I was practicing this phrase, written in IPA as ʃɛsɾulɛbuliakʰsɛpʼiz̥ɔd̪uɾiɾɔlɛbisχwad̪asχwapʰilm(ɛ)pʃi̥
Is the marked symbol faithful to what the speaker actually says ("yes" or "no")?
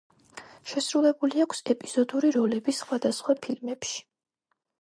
yes